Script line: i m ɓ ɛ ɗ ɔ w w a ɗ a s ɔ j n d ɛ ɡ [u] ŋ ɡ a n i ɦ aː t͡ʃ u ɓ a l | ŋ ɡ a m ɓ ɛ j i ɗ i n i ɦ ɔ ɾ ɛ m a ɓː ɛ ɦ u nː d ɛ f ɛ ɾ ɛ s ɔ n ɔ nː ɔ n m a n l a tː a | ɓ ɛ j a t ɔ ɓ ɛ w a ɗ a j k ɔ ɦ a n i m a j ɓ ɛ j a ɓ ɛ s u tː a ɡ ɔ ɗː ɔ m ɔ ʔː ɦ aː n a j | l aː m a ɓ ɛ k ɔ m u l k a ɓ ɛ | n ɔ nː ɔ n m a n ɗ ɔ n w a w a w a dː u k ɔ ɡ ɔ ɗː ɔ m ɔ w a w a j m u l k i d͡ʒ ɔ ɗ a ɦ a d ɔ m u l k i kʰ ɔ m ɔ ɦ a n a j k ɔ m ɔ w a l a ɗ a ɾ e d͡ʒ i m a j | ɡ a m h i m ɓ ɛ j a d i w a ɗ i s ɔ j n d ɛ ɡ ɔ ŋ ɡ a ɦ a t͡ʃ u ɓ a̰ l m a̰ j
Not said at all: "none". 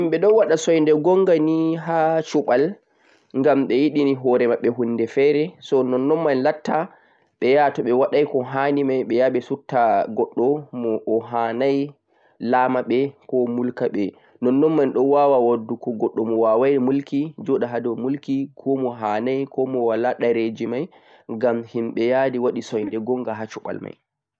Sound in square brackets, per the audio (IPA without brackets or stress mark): ɔ